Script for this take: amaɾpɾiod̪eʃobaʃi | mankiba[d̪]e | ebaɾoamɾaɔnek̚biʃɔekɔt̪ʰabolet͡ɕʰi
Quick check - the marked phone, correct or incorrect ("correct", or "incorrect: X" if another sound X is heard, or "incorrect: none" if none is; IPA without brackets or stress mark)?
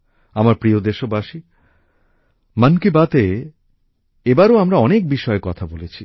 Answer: incorrect: t̪